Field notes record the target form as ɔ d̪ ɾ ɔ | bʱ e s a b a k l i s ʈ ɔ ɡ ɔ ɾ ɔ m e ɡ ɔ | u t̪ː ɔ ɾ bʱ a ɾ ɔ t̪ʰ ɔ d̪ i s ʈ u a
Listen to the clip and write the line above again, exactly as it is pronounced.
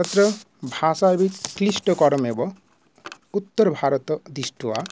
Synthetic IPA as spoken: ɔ t̪ ɾ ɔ | bʱ a s a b i k l i s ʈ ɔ k ɔ ɾ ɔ m e b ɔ | u t̪ː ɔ ɾ bʱ a ɾ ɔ t̪ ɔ d̪ i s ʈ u a